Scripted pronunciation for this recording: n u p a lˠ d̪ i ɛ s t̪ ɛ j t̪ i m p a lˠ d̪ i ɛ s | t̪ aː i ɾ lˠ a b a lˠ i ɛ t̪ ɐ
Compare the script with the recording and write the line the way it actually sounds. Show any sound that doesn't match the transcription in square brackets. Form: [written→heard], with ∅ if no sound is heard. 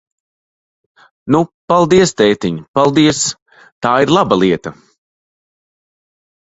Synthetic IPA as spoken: n u p a lˠ d̪ i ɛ s t̪ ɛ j t̪ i [m→ɲ] p a lˠ d̪ i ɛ s | t̪ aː i ɾ lˠ a b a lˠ i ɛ t̪ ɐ